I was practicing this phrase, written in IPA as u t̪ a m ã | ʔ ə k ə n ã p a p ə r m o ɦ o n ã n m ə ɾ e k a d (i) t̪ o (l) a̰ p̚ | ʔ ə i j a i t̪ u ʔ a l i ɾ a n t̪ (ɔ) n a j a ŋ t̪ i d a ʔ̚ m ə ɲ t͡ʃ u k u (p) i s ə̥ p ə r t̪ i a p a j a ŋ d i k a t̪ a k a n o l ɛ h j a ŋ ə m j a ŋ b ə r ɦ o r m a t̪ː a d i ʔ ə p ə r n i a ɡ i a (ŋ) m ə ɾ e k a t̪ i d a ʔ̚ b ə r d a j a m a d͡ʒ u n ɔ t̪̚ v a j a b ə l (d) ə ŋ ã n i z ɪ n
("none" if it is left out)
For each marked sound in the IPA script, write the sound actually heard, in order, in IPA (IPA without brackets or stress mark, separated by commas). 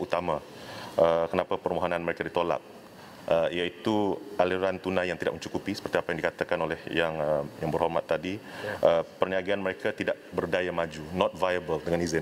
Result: i, l, u, p, n, d